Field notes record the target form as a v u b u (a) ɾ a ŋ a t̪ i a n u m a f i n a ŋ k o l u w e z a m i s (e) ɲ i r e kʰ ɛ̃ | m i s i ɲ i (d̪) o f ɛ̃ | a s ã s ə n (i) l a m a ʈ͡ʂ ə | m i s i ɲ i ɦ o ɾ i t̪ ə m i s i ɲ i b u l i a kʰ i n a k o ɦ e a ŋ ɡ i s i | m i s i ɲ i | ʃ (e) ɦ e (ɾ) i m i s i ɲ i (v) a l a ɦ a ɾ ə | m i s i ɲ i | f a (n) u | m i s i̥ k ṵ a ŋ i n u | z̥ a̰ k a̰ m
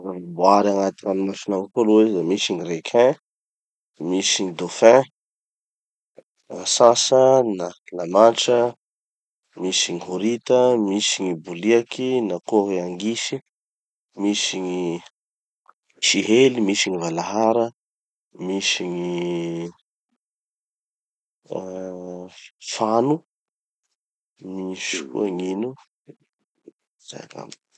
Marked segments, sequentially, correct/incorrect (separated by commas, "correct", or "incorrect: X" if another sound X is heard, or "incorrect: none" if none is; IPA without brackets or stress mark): correct, incorrect: i, correct, incorrect: a, incorrect: i, incorrect: l, correct, correct